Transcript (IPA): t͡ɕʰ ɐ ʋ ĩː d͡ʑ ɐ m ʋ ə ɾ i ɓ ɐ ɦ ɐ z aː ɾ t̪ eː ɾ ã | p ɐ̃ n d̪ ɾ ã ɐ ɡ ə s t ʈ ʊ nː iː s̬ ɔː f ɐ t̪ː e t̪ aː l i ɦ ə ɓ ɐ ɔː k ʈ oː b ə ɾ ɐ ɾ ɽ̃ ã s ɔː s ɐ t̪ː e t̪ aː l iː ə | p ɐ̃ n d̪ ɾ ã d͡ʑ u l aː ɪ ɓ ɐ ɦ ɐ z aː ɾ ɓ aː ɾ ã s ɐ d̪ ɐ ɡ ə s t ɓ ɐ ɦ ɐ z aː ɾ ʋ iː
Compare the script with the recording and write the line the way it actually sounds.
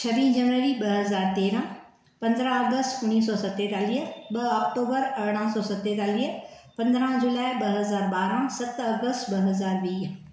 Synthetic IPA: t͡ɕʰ ɐ ʋ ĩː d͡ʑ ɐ n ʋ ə ɾ i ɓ ɐ ɦ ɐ z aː ɾ t̪ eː ɾ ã | p ɐ̃ n d̪ ɾ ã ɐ ɡ ə s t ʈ ʊ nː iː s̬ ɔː s ɐ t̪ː e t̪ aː l i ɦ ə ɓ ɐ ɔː k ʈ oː b ə ɾ ɐ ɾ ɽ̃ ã s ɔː s ɐ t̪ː e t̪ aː l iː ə | p ɐ̃ n d̪ ɾ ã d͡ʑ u l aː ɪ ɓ ɐ ɦ ɐ z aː ɾ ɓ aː ɾ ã s ɐ t̪ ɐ ɡ ə s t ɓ ɐ ɦ ɐ z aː ɾ ʋ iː